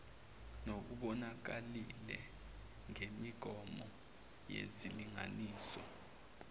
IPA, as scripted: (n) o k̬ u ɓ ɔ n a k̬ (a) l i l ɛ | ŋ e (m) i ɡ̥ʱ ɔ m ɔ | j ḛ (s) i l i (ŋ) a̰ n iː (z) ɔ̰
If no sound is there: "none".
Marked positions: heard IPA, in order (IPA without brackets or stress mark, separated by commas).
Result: n, a, m, z, ŋ, s